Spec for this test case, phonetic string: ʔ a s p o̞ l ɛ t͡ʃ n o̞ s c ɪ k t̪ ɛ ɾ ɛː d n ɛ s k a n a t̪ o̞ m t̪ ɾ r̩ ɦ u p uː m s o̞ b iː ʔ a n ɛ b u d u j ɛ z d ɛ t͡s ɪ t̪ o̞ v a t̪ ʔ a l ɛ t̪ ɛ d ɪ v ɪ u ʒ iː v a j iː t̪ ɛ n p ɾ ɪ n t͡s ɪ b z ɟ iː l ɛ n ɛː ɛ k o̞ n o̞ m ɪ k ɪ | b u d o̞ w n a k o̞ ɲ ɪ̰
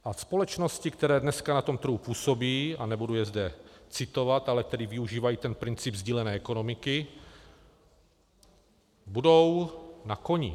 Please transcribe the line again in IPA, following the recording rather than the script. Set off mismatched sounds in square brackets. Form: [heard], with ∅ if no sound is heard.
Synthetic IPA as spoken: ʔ a s p o̞ l ɛ t͡ʃ n o̞ s c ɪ k t̪ ɛ ɾ ɛː d n ɛ s k a n a t̪ o̞ m t̪ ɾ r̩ ɦ u p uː [∅] s o̞ b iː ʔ a n ɛ b u d u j ɛ z d ɛ t͡s ɪ t̪ o̞ v a t̪ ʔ a l ɛ t̪ ɛ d ɪ v ɪ u ʒ iː v a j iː t̪ ɛ n p ɾ ɪ n t͡s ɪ b z ɟ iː l ɛ n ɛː ɛ k o̞ n o̞ m ɪ k ɪ | b u d o̞ w n a k o̞ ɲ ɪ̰